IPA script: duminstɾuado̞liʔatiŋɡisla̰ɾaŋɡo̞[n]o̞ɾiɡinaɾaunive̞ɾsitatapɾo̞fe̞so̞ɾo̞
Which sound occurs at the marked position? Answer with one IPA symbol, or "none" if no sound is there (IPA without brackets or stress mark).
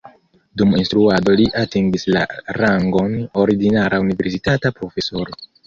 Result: n